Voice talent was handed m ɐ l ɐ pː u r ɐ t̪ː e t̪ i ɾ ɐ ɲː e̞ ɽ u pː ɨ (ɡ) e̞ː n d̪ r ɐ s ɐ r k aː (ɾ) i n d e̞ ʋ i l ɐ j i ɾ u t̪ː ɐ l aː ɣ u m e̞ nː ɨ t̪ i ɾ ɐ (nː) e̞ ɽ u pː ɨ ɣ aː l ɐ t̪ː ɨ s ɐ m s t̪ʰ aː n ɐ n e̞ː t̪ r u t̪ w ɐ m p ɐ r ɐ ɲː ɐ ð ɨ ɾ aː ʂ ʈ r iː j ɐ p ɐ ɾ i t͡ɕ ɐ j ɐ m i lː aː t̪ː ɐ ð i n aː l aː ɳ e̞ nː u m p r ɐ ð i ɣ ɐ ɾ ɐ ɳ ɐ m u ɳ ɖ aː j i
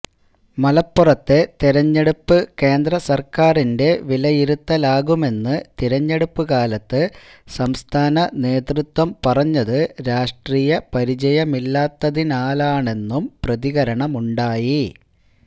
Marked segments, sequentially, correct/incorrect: incorrect: k, incorrect: r, incorrect: ɲː

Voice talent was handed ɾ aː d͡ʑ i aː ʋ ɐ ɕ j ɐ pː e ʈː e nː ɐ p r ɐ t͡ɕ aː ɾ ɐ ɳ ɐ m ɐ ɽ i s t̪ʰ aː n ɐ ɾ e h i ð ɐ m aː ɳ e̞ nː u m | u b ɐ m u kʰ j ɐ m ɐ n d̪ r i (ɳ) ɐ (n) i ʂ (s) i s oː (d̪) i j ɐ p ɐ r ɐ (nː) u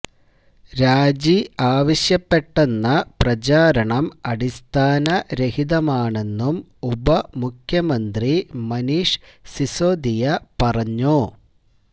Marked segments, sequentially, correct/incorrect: incorrect: m, correct, correct, correct, incorrect: ɲː

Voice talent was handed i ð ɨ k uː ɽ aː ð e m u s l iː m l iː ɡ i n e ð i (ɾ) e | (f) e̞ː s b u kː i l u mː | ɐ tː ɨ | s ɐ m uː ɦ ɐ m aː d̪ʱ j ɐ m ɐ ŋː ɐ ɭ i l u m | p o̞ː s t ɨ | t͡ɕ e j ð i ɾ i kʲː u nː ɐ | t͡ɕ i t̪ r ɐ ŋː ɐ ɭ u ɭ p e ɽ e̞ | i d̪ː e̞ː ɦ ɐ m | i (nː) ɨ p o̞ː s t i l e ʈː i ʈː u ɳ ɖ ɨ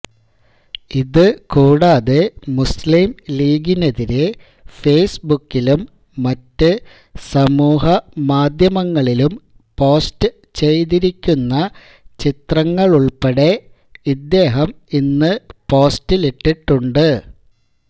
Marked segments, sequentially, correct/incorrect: correct, correct, correct

